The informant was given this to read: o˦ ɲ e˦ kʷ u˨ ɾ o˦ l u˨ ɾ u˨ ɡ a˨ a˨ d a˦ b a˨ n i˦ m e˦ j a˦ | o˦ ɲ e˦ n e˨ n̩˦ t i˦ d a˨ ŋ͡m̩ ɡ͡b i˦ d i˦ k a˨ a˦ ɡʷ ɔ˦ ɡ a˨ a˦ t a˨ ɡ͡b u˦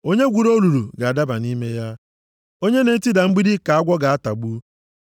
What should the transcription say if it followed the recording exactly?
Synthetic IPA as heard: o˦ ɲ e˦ ɡʷ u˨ ɾ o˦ l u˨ ɾ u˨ ɡ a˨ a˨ d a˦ b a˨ n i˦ m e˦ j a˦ | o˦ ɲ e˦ n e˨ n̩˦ t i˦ d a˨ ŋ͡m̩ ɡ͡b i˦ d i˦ k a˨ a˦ ɡʷ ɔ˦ ɡ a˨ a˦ t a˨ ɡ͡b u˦